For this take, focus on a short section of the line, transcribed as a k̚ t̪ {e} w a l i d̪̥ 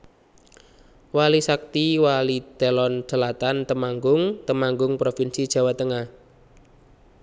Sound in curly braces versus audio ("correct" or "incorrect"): incorrect